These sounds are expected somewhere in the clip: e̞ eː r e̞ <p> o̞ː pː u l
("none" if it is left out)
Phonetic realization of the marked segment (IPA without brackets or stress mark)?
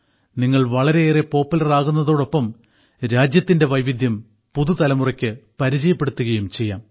p